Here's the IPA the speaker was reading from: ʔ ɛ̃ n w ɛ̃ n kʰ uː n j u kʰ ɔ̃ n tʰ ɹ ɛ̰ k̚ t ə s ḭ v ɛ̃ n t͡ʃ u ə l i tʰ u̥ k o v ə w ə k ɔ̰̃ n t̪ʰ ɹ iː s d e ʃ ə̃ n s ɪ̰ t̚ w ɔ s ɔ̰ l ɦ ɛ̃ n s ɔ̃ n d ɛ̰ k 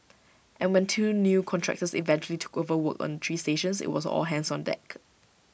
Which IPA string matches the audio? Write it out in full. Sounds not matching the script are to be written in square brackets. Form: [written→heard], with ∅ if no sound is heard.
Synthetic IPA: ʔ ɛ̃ n w ɛ̃ n [kʰ→tʰ] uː n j u kʰ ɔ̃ n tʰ ɹ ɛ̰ k̚ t ə s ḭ v ɛ̃ n t͡ʃ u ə l i tʰ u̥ k o v ə w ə k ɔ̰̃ n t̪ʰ ɹ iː s [d→t] e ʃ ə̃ n s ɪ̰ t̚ w ɔ s ɔ̰ l ɦ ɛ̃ n s ɔ̃ n d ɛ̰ k